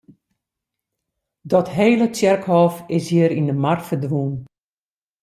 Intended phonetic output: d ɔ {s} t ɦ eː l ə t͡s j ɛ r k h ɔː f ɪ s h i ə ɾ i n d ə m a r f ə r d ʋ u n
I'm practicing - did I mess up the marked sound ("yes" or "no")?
yes